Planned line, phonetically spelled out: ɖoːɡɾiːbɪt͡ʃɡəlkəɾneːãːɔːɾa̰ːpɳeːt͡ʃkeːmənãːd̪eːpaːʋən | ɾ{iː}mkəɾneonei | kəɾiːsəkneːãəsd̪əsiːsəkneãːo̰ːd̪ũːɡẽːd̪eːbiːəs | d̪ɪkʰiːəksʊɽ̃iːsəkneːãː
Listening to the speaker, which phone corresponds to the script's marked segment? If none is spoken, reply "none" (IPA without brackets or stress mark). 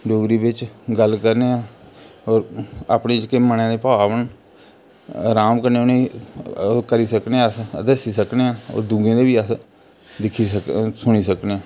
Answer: aː